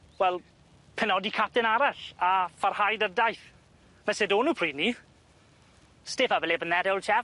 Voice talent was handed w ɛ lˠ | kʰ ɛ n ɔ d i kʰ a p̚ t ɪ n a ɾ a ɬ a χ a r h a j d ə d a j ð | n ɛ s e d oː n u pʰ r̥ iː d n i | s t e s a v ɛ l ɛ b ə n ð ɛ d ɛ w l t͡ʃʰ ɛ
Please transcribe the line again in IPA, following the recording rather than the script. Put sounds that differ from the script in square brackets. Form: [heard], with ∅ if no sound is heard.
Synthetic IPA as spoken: w ɛ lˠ | [pʰ] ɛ n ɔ d i kʰ a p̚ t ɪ n a ɾ a ɬ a [f] a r h a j d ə d a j [θ] | [m] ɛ s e d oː n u pʰ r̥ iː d n i | s t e [f] a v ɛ l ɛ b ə n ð ɛ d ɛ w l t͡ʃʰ ɛ